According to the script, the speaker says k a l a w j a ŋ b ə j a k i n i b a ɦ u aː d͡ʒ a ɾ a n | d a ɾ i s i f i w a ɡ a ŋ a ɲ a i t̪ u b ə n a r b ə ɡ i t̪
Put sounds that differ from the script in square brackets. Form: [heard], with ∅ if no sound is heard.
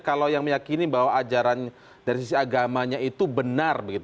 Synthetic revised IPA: k a l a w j a ŋ [m] ə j a k i n i b a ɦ [w] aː d͡ʒ a ɾ a n | d a ɾ i s i [s] i [∅] a ɡ a [m] a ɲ a i t̪ u b ə n a r b ə ɡ i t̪